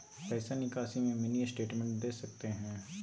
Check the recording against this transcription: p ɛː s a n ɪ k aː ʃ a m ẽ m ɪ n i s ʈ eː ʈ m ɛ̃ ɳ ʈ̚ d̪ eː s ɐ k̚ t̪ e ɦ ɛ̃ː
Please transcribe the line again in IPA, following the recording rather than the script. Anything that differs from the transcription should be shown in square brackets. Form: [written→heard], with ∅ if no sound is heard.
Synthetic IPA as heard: p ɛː s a n ɪ k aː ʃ [a→i] m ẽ m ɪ n i s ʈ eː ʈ m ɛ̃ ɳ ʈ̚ d̪ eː s ɐ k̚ t̪ e ɦ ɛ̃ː